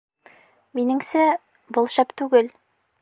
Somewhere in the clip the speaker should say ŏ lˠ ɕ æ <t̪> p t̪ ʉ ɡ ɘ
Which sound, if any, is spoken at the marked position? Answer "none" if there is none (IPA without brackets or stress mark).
none